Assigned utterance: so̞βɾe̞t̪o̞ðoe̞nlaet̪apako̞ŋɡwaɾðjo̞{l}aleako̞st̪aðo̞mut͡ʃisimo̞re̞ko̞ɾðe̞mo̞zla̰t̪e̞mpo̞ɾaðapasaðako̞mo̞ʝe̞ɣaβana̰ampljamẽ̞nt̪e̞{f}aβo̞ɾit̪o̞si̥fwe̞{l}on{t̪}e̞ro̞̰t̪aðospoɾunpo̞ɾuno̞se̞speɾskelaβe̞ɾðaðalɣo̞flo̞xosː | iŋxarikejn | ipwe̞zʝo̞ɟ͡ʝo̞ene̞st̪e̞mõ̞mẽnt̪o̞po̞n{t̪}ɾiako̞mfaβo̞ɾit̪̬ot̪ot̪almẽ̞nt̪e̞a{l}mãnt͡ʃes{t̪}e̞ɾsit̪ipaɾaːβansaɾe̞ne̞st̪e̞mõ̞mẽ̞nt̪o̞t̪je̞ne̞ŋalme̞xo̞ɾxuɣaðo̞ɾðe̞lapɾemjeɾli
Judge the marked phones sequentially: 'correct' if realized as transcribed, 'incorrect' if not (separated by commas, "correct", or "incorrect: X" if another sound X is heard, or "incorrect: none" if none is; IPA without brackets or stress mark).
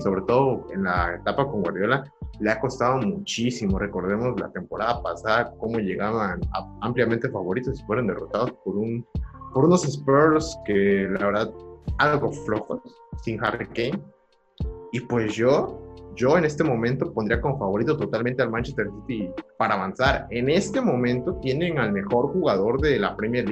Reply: correct, correct, incorrect: ɾ, incorrect: d̪, incorrect: d̪, correct, correct